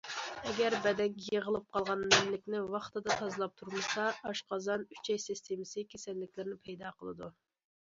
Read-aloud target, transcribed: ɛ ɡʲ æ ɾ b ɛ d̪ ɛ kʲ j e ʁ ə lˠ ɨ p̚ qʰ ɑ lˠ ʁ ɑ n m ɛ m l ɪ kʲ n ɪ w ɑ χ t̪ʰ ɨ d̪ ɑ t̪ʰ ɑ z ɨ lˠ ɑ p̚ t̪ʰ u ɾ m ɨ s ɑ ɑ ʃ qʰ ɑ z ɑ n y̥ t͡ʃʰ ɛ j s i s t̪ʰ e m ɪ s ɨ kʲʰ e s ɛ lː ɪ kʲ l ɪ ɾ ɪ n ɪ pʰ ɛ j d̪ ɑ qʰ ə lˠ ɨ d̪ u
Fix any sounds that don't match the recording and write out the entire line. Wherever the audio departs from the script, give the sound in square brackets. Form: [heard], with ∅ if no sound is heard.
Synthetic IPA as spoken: ɛ ɡʲ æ ɾ b ɛ d̪ ɛ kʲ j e ʁ ə lˠ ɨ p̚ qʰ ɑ lˠ ʁ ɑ n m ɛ m l ɪ kʲ n ɪ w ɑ χ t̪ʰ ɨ d̪ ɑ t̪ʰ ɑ z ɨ lˠ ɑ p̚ t̪ʰ u ɾ m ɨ s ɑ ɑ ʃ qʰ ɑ z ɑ n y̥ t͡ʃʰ ɛ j s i s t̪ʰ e m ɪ s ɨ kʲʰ e s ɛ lː ɪ kʲ l ɪ ɾ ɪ n ɪ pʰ ɛ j d̪ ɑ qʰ ə lˠ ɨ d̪ u